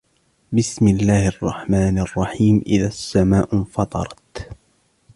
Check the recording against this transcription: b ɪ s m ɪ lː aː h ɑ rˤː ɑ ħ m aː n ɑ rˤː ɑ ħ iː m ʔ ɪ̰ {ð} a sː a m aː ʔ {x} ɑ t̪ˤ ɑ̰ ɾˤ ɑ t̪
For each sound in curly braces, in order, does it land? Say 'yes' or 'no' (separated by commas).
yes, no